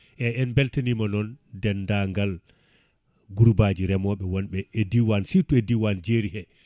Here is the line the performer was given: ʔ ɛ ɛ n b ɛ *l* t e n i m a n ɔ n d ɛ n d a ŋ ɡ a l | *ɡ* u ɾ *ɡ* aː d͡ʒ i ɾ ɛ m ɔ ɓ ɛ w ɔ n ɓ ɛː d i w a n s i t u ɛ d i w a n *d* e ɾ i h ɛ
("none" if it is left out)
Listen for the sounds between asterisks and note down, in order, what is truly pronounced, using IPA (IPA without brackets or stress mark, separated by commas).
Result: l, ɡ, b, d͡ʒ